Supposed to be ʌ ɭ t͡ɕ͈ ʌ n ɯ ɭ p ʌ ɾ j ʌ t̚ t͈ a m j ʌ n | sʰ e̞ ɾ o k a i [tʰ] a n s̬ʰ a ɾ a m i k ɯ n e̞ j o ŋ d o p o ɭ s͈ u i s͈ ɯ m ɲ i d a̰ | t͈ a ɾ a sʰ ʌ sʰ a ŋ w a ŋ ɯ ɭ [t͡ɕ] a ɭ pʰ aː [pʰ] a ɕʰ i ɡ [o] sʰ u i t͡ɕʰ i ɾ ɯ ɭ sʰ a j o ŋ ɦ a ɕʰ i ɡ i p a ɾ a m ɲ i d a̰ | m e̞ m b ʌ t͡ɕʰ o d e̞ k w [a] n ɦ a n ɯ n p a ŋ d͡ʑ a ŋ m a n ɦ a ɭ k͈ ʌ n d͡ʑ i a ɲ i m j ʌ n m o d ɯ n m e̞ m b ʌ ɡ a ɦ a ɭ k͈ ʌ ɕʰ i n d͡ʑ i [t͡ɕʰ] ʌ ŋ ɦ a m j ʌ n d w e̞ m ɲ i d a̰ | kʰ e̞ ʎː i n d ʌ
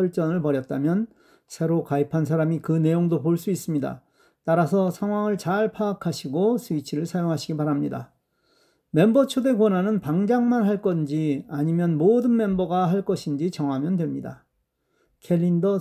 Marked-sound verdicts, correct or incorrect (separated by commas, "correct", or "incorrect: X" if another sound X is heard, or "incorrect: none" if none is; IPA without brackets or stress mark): incorrect: pʰ, correct, incorrect: kʰ, correct, incorrect: ʌ, incorrect: t͡ɕ